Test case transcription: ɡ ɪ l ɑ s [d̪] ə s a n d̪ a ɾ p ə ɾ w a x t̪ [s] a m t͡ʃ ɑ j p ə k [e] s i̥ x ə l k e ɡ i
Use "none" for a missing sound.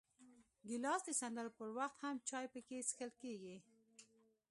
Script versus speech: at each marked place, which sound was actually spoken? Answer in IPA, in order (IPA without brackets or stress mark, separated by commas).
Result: d̪, h, e